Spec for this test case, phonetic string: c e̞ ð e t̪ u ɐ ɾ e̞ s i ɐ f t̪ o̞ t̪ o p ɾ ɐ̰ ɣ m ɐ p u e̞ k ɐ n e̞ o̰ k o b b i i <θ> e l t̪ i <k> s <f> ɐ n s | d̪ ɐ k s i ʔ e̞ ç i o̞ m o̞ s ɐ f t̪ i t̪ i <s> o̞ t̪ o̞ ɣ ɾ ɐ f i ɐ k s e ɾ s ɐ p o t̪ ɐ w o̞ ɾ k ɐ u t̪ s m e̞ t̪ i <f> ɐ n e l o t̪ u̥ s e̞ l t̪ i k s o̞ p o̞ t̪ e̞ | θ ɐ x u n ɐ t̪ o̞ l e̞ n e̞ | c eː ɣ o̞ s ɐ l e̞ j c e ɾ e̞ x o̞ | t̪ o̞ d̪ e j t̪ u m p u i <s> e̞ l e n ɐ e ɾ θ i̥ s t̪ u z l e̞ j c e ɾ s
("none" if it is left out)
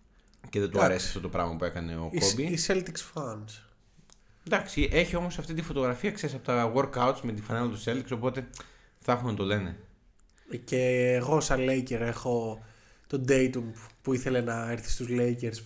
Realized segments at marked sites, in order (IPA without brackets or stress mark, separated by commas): s, k, f, f, f, θ